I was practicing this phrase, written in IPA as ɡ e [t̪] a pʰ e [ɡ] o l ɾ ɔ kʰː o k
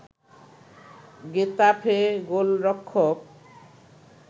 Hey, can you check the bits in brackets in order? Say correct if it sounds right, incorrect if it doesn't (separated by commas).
correct, correct